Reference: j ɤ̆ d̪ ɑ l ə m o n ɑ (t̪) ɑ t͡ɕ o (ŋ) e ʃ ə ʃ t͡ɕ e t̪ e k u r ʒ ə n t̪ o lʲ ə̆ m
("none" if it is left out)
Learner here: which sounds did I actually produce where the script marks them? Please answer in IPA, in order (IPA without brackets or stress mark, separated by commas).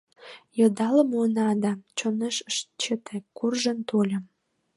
d̪, n